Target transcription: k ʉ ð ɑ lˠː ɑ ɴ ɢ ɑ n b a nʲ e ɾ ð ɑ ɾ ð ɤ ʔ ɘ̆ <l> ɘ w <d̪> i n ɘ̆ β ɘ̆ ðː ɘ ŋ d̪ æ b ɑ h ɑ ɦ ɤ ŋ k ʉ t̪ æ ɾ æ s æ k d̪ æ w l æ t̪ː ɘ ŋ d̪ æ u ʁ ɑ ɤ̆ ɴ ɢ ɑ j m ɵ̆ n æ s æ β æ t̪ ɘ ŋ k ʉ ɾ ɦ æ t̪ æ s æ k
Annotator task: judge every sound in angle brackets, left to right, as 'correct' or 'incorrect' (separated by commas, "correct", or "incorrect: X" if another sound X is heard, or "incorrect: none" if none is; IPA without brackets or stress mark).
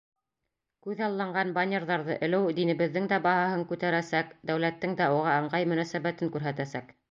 correct, correct